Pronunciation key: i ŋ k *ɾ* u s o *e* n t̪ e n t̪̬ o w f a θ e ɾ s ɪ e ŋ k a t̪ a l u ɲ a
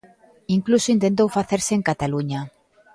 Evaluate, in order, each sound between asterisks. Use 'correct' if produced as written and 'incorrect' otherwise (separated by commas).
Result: incorrect, incorrect